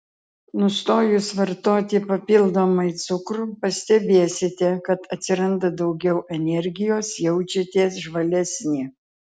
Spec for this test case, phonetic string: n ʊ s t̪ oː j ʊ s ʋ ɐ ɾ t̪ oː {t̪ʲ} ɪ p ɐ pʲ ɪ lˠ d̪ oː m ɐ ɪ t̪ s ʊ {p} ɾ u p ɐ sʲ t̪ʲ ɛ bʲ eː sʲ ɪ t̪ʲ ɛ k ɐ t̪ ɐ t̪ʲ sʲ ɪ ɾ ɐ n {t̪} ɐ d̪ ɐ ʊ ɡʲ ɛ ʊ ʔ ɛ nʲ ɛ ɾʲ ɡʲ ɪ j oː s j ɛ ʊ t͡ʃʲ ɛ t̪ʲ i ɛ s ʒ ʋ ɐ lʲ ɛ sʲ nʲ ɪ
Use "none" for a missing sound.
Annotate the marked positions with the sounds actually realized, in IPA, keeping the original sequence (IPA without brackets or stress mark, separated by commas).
t̪ʲ, k, d̪